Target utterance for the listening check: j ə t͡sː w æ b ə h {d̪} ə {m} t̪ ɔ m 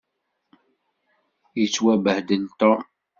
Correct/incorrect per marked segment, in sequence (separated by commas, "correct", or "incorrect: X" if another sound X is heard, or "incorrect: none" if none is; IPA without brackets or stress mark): correct, incorrect: n